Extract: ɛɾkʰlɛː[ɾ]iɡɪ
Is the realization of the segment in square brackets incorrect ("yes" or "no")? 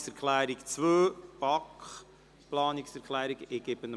no